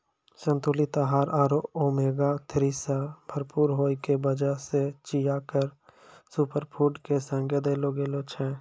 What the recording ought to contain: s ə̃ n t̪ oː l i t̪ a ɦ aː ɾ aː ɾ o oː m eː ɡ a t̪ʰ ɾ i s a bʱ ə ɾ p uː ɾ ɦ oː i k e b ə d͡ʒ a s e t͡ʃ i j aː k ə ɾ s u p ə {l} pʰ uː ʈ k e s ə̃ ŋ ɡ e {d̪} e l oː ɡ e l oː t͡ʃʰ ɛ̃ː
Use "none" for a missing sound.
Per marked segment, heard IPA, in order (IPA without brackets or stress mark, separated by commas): ɾ, d̪